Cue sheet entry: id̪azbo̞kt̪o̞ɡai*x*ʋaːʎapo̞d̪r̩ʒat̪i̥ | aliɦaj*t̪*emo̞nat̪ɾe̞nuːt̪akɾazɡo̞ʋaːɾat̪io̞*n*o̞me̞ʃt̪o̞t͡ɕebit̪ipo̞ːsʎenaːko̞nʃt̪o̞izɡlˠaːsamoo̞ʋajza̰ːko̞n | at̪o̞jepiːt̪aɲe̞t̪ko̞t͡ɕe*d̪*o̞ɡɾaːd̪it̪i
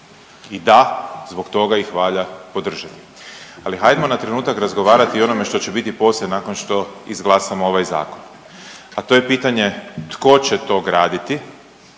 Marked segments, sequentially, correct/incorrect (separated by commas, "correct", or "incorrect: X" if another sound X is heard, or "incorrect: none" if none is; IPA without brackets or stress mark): correct, incorrect: d̪, correct, incorrect: t̪